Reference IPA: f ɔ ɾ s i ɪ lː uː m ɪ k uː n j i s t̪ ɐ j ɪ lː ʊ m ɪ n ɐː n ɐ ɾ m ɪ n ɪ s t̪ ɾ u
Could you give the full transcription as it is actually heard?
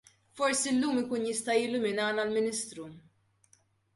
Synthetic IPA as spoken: f ɔ ɾ s i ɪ lː uː m ɪ k uː n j ɪ s t̪ ɐ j ɪ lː ʊ m ɪ n ɐː n ɐ l m ɪ n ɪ s t̪ ɾ u